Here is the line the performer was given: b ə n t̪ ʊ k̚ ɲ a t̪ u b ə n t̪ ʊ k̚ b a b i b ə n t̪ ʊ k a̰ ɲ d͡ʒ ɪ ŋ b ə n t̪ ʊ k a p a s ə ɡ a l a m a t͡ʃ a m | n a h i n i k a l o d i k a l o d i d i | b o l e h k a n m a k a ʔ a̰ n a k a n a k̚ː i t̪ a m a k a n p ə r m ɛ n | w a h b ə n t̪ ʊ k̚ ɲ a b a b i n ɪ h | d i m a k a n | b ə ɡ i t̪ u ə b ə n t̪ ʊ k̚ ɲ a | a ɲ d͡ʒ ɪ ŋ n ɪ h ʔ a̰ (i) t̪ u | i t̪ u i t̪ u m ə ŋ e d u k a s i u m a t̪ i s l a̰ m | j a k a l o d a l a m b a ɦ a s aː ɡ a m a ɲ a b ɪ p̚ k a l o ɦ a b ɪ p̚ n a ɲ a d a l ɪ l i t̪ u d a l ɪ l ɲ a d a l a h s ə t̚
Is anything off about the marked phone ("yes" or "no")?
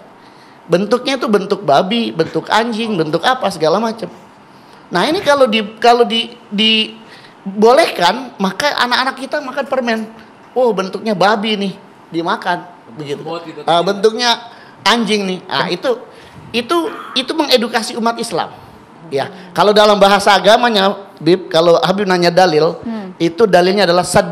no